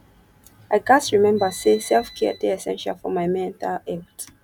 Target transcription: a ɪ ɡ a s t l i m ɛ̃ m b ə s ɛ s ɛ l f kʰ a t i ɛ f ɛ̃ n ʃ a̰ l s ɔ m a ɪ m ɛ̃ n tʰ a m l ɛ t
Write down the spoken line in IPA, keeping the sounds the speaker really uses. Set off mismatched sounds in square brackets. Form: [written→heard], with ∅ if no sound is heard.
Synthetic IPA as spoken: a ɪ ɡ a s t [l→ɹ] i m ɛ̃ m b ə s [ɛ→e] s ɛ l f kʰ [a→ɛ] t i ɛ [f→s] ɛ̃ n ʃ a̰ l [s→f] ɔ m a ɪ m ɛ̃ n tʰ a [m→∅] l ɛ t